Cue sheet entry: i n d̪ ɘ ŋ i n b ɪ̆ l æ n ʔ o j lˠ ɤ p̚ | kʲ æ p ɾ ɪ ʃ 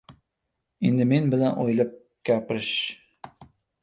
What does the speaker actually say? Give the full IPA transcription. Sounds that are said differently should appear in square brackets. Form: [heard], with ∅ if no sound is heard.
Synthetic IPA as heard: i n d̪ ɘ [m] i n b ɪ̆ l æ n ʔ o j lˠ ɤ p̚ | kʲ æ p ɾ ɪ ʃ